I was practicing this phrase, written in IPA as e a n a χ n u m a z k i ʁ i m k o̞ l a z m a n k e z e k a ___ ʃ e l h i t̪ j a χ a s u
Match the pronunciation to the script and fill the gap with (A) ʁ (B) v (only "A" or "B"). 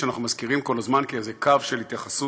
B